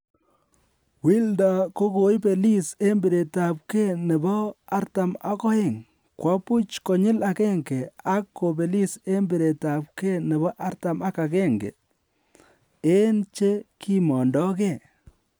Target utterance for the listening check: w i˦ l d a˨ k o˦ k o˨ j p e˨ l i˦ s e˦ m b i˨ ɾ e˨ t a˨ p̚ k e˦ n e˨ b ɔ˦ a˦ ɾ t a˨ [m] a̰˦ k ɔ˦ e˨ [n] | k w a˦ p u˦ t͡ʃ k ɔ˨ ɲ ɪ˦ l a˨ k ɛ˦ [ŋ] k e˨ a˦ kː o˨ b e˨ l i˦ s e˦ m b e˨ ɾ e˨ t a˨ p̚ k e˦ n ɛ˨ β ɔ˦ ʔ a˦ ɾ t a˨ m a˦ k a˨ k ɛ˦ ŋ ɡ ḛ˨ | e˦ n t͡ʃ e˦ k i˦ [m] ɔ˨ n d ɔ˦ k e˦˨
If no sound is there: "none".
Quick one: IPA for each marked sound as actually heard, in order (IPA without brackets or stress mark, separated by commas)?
m, ŋ, ŋ, m